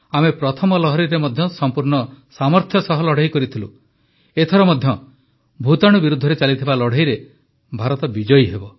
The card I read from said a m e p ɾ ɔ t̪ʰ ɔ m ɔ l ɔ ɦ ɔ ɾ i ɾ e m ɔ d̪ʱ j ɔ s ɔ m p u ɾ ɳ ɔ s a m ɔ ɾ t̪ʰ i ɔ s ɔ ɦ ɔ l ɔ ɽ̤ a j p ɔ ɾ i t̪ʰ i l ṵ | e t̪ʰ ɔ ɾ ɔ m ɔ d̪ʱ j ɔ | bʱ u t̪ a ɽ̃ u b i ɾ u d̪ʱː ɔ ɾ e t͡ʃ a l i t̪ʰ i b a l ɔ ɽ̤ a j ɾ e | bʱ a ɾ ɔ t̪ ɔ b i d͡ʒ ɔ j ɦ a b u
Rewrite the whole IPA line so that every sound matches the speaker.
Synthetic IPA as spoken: a m e p ɾ ɔ t̪ʰ ɔ m ɔ l ɔ ɦ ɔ ɾ i ɾ e m ɔ d̪ʱ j ɔ s ɔ m p u ɾ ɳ ɔ s a m ɔ ɾ t̪ʰ j ɔ s ɔ ɦ ɔ l ɔ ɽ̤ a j k ɔ ɾ i t̪ʰ i l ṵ | e t̪ʰ ɔ ɾ ɔ m ɔ d̪ʱ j ɔ | bʱ u t̪ a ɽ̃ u b i ɾ u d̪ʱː ɔ ɾ e t͡ʃ a l i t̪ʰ i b a l ɔ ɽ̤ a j ɾ e | bʱ a ɾ ɔ t̪ ɔ b i d͡ʒ ɔ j ɦ e b ɔ

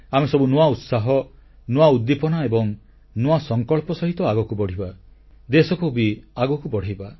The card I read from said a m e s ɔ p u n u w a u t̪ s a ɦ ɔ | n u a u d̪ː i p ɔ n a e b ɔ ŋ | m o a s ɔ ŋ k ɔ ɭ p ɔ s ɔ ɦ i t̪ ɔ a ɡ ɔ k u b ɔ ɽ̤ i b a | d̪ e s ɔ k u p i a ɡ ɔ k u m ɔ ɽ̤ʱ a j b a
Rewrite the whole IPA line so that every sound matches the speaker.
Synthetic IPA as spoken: a m e s ɔ b u n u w a u t̪ s a ɦ ɔ | n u a u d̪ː i p ɔ n a e b ɔ ŋ | n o a s ɔ ŋ k ɔ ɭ p ɔ s ɔ ɦ i t̪ ɔ a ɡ ɔ k u b ɔ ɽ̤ i b a | d̪ e s ɔ k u b i a ɡ ɔ k u b ɔ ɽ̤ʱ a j b a

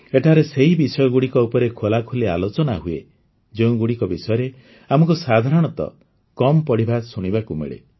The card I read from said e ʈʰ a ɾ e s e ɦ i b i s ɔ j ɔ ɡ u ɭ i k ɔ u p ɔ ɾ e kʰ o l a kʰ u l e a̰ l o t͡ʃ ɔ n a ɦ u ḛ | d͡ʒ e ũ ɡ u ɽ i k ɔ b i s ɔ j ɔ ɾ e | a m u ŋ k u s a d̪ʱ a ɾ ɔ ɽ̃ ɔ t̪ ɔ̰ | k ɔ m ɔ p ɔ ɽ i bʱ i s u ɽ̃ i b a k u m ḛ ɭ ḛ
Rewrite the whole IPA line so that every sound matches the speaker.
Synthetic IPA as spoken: e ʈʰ a ɾ e s e ɦ i b i s ɔ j ɔ ɡ u ɽ i k ɔ u p ɔ ɾ e kʰ o l a kʰ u l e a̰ l o t͡ʃ ɔ n a ɦ u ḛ | d͡ʒ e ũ ɡ u ɽ i k ɔ b i s ɔ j ɔ ɾ e | a m ɔ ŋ k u s a d̪ʱ a ɾ ɔ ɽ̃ ɔ t̪ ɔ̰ | k ɔ m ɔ p ɔ ɽ i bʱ a s u ɽ̃ i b a k u m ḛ ɭ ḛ

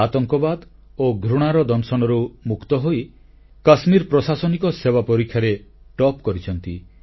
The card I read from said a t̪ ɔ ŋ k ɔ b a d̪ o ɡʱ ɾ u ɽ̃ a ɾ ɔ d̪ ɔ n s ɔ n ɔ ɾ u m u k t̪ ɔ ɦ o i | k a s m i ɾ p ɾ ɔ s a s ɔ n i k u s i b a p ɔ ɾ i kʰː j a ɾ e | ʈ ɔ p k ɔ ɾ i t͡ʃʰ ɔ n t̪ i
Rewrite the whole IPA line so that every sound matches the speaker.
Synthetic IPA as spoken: a t̪ ɔ ŋ k ɔ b a d̪ o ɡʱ ɾ u ɽ̃ a ɾ ɔ d̪ ɔ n s ɔ n ɔ ɾ u m u k t̪ ɔ ɦ o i | k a s m i ɾ p ɾ ɔ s a s ɔ n i k ɔ s e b a p ɔ ɾ i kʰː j a ɾ e | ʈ ɔ p k ɔ ɾ i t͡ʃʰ ɔ n t̪ i

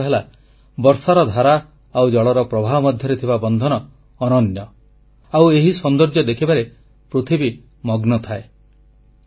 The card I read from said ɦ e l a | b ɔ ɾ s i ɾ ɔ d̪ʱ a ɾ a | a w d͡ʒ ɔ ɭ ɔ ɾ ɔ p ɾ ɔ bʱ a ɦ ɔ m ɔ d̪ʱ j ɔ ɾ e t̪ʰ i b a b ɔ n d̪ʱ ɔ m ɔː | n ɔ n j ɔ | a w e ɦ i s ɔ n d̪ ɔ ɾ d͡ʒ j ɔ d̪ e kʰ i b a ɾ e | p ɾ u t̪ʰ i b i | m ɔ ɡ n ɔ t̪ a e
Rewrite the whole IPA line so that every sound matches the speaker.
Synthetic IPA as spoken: ɦ e l a | b ɔ ɾ s a ɾ ɔ d̪ʱ a ɾ a | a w d͡ʒ ɔ ɭ ɔ ɾ ɔ p ɾ ɔ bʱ a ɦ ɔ m ɔ d̪ʱ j ɔ ɾ e t̪ʰ i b a b ɔ n d̪ʱ ɔ n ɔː | n ɔ n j ɔ | a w e ɦ i s ɔ n d̪ ɔ ɾ d͡ʒ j ɔ d̪ e kʰ i b a ɾ e | p ɾ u t̪ʰ i b i | m ɔ ɡ n ɔ t̪ʰ a e

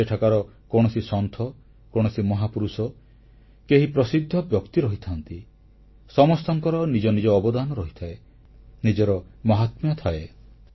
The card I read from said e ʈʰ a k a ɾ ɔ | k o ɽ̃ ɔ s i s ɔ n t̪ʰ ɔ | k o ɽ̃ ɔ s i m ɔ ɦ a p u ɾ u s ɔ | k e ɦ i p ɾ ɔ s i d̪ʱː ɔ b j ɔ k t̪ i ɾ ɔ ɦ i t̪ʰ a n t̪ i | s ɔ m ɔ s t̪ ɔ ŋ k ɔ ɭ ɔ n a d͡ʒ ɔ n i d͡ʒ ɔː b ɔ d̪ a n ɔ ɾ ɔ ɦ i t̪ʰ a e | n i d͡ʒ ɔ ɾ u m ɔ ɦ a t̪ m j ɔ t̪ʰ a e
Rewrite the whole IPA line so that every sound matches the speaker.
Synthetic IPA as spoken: e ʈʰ a k a ɾ ɔ | k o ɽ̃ ɔ s i s ɔ n t̪ʰ ɔ | k o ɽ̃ ɔ s i m ɔ ɦ a p u ɾ u s ɔ | k e ɦ i p ɾ ɔ s i d̪ʱː ɔ b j ɔ k t̪ i ɾ ɔ ɦ i t̪ʰ a n t̪ i | s ɔ m ɔ s t̪ ɔ ŋ k ɔ ɾ ɔ n i d͡ʒ ɔ n i d͡ʒ ɔː b ɔ d̪ a n ɔ ɾ ɔ ɦ i t̪ʰ a e | n i d͡ʒ ɔ ɾ ɔ m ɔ ɦ a t̪ m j ɔ t̪ʰ a e

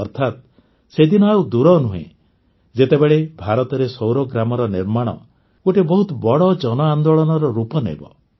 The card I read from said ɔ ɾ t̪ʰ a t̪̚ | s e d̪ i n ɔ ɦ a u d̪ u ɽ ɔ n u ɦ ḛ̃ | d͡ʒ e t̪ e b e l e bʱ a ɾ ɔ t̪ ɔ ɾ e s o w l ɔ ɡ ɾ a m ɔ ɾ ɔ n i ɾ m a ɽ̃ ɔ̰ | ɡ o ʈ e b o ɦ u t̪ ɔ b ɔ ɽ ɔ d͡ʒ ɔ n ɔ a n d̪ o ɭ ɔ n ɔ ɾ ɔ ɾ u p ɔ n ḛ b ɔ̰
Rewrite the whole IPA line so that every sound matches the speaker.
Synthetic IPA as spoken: ɔ ɾ t̪ʰ a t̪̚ | s e d̪ i n ɔ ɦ a u d̪ u ɾ ɔ n u ɦ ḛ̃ | d͡ʒ e t̪ e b e ɭ e bʱ a ɾ ɔ t̪ ɔ ɾ e s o w ɾ ɔ ɡ ɾ a m ɔ ɾ ɔ n i ɾ m a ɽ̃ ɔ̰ | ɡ o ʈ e b ɔ ɦ u t̪ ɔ b ɔ ɽ ɔ d͡ʒ ɔ n ɔ a n d̪ o ɭ ɔ n ɔ ɾ ɔ ɾ u p ɔ n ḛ b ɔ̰

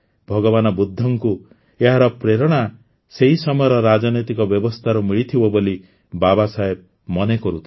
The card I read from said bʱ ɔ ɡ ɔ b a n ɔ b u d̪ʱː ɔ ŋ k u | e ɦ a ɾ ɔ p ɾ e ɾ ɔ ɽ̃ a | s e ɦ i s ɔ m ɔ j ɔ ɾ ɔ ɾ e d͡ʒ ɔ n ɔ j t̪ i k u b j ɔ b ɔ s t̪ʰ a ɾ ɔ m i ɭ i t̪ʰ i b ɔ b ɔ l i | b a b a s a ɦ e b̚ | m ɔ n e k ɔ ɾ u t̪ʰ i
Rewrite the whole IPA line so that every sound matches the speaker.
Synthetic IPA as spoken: bʱ ɔ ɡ ɔ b a n ɔ b u d̪ʱː ɔ ŋ k u | e ɦ a ɾ ɔ p ɾ e ɾ ɔ ɽ̃ a | s e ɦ i s ɔ m ɔ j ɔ ɾ ɔ ɾ a d͡ʒ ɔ n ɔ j t̪ i k ɔ b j ɔ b ɔ s t̪ʰ a ɾ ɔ m i ɭ i t̪ʰ i b ɔ b o l i | b a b a s a ɦ e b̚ | m ɔ n e k ɔ ɾ u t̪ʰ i

